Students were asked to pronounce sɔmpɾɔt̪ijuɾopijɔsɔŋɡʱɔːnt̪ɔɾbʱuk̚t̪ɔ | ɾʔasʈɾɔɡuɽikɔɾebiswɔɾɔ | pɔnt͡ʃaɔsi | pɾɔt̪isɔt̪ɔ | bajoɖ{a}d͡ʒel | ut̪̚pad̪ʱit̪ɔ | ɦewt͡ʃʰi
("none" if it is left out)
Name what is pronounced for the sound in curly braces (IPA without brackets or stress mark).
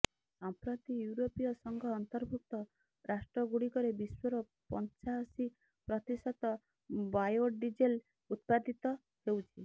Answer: i